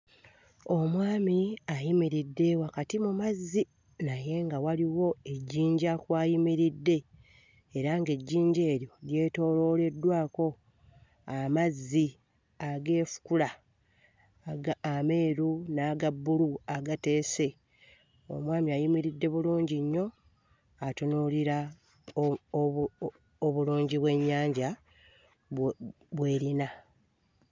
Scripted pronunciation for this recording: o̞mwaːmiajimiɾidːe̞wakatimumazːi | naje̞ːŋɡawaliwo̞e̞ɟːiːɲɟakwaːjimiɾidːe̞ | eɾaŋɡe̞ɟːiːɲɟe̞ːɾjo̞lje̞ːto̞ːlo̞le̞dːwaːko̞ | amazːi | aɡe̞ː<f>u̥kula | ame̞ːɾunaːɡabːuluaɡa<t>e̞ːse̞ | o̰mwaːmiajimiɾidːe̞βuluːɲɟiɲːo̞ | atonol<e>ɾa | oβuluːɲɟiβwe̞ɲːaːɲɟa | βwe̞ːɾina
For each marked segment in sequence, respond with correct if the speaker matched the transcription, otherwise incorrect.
correct, correct, incorrect

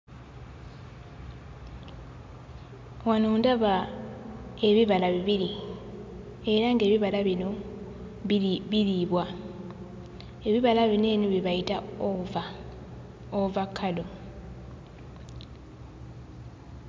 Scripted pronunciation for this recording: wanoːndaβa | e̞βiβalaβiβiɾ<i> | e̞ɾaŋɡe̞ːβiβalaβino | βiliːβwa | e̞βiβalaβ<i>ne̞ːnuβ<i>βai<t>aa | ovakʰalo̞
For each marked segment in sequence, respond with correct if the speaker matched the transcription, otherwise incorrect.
correct, correct, correct, correct

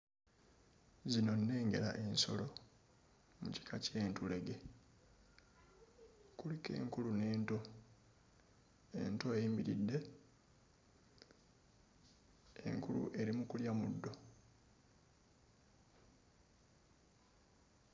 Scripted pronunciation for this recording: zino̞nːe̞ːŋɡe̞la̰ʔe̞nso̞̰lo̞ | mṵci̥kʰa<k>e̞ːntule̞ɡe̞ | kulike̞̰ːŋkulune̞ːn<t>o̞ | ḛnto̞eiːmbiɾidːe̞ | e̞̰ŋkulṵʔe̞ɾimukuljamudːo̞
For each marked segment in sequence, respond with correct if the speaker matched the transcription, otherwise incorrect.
incorrect, correct

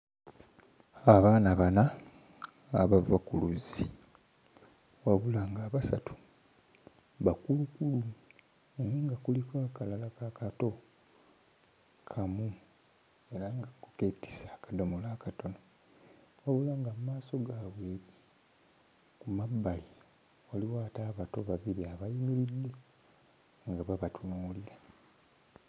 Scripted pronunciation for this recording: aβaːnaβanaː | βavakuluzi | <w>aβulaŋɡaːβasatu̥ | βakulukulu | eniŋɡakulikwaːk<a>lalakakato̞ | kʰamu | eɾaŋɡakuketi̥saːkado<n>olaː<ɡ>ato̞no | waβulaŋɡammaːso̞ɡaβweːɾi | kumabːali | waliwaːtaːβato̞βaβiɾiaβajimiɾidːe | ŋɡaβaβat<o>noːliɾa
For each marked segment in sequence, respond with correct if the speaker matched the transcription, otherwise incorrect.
correct, correct, incorrect, incorrect, incorrect

